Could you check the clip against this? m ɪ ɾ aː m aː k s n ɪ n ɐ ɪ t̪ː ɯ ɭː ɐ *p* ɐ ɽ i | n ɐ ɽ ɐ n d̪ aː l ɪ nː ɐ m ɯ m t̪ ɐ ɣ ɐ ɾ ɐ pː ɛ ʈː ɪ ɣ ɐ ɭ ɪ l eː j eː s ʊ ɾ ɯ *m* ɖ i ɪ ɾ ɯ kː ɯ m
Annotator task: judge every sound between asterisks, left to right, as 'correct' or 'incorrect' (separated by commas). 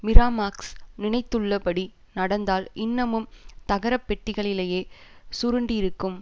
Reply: correct, incorrect